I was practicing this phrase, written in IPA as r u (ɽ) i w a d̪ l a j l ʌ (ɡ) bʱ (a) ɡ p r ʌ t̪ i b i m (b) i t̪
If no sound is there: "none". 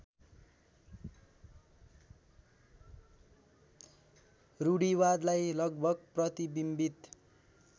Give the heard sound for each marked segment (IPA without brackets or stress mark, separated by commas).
ɽ, ɡ, ʌ, b